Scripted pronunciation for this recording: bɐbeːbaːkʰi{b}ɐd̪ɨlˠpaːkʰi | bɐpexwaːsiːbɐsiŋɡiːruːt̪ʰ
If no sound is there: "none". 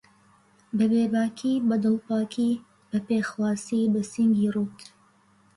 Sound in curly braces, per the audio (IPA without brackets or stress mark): b